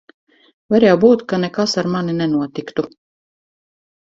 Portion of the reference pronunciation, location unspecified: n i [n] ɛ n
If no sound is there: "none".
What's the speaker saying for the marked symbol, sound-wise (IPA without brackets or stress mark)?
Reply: n